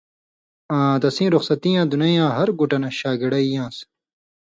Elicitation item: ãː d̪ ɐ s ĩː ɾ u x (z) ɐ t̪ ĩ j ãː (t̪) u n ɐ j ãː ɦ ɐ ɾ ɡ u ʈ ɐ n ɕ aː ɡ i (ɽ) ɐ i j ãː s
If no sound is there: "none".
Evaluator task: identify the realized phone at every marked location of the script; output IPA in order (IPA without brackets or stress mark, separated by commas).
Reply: s, d̪, ɽ